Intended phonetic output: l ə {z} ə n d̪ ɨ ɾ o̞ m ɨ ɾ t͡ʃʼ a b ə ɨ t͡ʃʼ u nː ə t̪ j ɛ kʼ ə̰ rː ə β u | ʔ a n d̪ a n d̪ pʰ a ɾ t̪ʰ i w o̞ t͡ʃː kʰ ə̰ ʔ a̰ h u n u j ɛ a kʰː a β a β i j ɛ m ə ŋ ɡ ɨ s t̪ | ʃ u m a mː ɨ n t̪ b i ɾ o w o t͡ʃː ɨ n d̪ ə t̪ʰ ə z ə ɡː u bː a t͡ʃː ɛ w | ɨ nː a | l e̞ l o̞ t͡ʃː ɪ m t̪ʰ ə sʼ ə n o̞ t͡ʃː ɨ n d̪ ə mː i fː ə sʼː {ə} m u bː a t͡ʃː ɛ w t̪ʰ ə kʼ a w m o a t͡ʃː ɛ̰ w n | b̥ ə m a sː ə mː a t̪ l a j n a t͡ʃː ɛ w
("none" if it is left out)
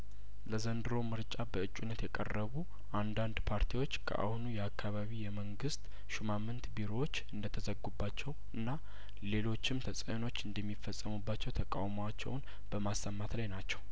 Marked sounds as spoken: z, ə

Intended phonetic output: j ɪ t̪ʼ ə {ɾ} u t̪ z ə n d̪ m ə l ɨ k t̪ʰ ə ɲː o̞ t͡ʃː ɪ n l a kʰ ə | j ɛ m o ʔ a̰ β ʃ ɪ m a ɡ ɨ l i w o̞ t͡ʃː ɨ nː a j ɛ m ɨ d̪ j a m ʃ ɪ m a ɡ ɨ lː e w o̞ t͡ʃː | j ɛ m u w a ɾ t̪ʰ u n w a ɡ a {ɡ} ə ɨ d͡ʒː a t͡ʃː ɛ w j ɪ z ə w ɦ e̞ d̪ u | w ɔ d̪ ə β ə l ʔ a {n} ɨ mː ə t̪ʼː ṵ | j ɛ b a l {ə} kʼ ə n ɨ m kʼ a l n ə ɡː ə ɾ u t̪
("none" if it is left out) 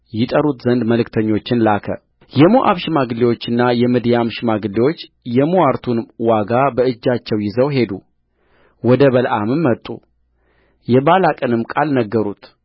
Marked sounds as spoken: ɾ, b, m, a

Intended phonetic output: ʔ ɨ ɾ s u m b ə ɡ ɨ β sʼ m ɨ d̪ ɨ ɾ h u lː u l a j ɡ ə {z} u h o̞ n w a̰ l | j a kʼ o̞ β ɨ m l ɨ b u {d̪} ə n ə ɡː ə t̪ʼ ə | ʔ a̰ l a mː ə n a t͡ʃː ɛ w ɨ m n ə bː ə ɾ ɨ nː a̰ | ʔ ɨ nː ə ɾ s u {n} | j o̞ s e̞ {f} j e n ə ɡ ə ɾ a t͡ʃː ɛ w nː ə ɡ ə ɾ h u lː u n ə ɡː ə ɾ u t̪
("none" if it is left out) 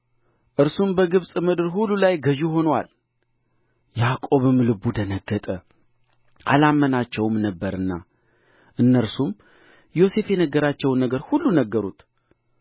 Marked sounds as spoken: ʒ, d̪, m, f

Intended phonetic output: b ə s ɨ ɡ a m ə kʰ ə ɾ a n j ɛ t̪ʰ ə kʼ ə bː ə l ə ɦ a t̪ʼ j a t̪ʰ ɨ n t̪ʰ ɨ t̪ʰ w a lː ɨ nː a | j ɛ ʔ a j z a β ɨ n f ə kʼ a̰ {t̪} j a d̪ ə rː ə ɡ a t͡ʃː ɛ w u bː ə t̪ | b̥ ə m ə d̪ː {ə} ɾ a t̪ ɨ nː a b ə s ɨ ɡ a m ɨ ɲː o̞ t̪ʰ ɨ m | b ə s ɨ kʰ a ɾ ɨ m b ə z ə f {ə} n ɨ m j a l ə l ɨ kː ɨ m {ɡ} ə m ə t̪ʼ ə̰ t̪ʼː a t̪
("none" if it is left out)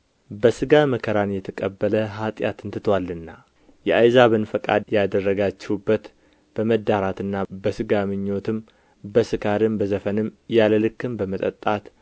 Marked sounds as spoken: d̪, a, ə, b

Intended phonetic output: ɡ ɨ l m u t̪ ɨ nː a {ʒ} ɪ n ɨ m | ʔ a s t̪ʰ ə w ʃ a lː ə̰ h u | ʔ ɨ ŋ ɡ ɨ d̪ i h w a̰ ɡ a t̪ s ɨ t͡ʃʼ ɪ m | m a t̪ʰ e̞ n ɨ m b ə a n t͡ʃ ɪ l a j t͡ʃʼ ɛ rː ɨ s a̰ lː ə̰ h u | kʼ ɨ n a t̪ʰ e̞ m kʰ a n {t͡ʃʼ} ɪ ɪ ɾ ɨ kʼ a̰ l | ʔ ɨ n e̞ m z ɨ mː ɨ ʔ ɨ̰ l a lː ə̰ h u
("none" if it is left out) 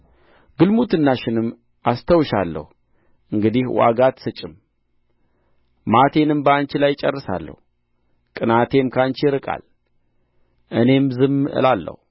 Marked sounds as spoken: ʃ, t͡ʃ

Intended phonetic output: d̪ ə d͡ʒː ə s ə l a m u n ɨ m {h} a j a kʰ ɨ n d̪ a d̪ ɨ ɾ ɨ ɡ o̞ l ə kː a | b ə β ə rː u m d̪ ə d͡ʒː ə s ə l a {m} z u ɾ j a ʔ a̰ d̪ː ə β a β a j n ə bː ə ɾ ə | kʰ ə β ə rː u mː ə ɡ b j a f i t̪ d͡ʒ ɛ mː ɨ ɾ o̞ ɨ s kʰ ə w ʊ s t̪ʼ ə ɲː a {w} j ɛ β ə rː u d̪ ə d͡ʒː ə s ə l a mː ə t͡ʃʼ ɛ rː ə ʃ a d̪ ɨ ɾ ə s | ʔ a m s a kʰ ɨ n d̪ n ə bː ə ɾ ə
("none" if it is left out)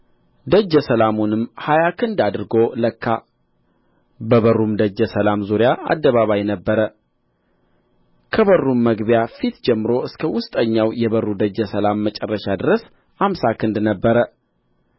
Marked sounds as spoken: h, m, w

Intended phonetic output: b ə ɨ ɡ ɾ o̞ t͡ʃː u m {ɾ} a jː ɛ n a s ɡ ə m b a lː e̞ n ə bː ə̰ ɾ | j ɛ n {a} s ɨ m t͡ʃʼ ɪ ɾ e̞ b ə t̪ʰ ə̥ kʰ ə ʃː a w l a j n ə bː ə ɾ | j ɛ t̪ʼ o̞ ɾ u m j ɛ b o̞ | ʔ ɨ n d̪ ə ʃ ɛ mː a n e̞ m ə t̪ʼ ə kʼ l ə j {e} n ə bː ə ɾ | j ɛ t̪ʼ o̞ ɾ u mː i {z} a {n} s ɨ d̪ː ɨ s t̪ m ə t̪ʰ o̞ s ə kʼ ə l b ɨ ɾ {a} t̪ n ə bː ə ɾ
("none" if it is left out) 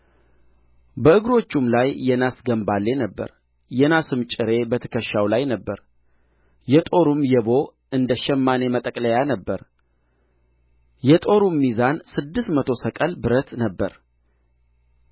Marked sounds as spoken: l, a, a, z, n, ə

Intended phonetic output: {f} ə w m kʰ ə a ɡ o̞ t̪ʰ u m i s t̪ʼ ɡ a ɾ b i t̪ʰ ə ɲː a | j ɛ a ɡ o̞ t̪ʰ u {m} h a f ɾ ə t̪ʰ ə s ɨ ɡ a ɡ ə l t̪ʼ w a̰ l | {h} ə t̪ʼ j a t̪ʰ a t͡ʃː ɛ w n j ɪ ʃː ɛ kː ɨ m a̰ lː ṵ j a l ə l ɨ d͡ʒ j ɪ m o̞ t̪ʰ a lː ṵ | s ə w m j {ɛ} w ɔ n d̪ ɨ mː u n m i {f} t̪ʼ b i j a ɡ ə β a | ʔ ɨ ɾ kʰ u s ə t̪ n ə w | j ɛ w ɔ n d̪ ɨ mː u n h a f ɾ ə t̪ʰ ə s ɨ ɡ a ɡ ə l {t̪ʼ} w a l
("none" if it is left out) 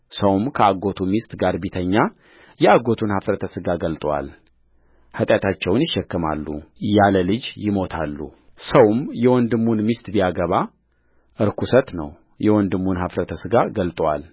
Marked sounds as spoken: s, n, h, ɛ, s, t̪ʼ

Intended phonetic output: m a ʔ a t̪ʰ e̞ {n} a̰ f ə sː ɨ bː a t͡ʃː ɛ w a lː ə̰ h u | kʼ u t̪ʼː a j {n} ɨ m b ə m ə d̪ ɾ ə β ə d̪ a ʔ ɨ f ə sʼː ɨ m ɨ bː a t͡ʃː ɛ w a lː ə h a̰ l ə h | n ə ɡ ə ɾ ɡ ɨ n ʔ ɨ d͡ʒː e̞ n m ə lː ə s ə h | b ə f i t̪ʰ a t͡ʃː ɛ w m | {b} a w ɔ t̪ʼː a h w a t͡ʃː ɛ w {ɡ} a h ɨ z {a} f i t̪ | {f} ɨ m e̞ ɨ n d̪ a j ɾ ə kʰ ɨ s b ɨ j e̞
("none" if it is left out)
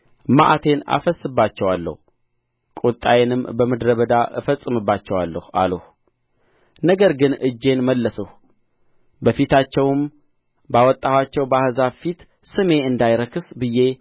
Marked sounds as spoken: n, n, b, b, a, s

